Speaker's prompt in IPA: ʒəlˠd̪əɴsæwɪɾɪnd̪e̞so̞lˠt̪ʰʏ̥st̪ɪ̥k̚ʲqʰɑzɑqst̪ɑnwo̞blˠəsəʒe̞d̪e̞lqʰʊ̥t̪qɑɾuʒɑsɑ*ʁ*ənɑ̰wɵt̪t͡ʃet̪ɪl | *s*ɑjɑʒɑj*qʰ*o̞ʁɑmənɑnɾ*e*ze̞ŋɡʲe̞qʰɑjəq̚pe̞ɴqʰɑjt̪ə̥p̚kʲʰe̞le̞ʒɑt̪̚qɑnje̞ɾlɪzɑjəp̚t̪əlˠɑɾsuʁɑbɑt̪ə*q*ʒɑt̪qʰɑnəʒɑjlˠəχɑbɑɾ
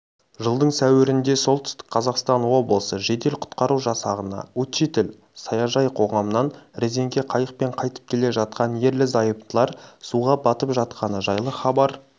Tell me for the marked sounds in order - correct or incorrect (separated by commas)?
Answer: correct, correct, correct, correct, incorrect